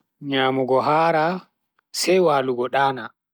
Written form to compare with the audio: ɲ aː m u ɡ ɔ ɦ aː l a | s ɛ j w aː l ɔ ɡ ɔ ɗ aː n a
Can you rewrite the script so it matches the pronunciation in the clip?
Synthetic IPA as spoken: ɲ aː m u ɡ ɔ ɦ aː ɾ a | s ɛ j w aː l u ɡ ɔ ɗ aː n a